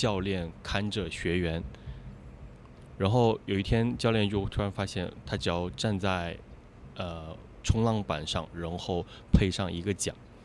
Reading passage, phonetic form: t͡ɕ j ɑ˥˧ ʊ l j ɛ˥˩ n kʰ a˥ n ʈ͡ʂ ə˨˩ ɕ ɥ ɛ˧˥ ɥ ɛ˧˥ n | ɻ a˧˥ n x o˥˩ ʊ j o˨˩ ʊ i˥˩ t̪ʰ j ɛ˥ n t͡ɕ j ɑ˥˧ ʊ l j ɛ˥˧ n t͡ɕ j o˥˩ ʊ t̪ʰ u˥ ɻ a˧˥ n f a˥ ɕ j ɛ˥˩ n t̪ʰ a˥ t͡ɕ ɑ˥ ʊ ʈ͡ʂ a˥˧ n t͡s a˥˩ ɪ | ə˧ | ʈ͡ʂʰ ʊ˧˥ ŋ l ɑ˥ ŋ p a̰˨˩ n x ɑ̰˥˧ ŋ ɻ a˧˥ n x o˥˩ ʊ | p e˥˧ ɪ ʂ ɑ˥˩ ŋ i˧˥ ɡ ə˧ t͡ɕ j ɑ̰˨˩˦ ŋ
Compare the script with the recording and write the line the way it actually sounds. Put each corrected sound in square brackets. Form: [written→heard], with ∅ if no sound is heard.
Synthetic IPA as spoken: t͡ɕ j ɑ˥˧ ʊ l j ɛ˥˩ n kʰ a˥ n ʈ͡ʂ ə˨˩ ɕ ɥ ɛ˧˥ ɥ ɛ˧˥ n | ɻ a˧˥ n x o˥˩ ʊ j o˨˩ ʊ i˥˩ t̪ʰ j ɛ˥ n t͡ɕ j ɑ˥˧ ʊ l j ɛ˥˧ n t͡ɕ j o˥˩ ʊ t̪ʰ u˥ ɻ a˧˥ n f a˥ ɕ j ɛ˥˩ n t̪ʰ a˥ t͡ɕ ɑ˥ ʊ ʈ͡ʂ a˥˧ n t͡s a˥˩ ɪ | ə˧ | ʈ͡ʂʰ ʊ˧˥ ŋ l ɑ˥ ŋ p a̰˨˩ n [x→ʂ] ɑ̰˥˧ ŋ ɻ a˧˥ n x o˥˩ ʊ | [p→pʰ] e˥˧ ɪ ʂ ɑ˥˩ ŋ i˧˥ ɡ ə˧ t͡ɕ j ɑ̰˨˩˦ ŋ